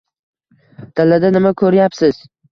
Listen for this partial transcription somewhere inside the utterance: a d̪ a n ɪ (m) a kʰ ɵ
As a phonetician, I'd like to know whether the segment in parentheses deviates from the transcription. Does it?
no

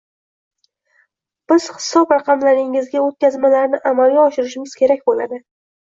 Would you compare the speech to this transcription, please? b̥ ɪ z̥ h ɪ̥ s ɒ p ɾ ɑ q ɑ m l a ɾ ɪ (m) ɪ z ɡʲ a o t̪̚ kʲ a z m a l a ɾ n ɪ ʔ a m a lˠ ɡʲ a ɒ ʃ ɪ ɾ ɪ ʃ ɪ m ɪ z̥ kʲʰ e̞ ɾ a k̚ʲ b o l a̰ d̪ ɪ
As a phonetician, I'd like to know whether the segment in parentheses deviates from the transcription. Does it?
yes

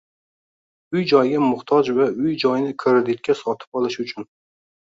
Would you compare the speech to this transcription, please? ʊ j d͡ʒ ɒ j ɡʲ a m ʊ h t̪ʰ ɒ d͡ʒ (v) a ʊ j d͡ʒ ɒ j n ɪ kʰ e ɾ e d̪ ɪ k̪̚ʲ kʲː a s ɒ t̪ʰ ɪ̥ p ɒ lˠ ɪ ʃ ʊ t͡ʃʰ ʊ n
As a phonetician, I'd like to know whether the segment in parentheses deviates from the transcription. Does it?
no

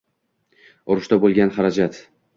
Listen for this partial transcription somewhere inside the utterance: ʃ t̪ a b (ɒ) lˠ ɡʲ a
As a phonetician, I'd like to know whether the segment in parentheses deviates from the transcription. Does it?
yes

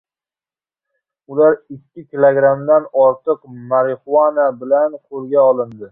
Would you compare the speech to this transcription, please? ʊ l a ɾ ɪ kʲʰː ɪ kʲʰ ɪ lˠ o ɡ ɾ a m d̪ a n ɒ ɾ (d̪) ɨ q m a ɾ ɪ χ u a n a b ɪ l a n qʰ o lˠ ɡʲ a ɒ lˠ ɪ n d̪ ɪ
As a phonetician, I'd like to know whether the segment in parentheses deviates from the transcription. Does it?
yes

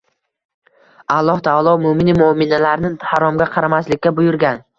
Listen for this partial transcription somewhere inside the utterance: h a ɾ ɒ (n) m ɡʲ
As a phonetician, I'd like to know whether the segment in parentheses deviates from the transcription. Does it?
yes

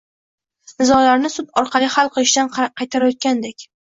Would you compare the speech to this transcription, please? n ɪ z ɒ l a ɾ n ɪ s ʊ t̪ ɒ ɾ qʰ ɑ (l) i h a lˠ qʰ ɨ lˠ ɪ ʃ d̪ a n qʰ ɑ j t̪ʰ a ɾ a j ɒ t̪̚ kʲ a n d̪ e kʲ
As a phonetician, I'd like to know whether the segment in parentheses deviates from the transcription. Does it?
no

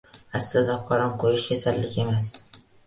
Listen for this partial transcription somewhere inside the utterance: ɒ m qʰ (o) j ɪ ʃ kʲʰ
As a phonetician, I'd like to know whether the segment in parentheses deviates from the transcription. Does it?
no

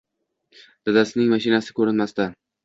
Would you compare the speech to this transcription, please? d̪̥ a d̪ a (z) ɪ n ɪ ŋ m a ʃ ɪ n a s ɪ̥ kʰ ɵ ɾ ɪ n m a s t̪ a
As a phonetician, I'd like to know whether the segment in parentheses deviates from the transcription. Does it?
yes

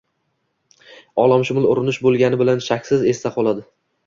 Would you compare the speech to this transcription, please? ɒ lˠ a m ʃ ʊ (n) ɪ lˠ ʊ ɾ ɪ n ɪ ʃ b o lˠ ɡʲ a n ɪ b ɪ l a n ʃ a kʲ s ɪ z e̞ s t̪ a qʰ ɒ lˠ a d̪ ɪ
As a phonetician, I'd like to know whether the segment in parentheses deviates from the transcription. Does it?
yes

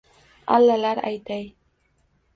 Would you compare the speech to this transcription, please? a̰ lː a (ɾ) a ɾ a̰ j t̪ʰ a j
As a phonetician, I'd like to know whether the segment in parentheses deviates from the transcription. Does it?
yes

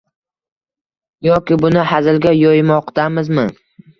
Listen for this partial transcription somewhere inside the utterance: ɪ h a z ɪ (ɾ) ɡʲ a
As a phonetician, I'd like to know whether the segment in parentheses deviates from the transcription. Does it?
yes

